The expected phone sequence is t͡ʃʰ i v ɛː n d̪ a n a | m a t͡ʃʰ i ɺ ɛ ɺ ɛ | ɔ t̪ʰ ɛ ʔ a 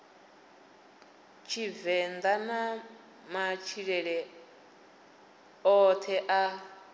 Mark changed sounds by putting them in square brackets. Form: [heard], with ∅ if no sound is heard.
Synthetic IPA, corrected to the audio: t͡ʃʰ i v [ɛ] n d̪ a n a | m a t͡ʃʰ i ɺ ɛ ɺ ɛ | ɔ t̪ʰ ɛ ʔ a